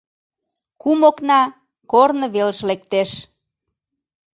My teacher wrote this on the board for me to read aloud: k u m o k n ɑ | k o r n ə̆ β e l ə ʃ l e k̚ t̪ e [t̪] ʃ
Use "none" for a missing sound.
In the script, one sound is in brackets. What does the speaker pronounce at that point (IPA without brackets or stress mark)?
none